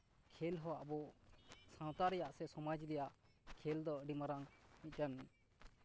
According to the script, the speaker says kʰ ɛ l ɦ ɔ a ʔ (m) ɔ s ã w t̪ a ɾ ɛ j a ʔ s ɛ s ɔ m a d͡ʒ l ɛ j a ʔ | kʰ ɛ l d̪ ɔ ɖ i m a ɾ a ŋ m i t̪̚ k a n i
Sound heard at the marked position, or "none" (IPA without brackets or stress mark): b